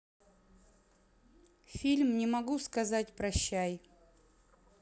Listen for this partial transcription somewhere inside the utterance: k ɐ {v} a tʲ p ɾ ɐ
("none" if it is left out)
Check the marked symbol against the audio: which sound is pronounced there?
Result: z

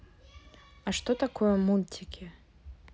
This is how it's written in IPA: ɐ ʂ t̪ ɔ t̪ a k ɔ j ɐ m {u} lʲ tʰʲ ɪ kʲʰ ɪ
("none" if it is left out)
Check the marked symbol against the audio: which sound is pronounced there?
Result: u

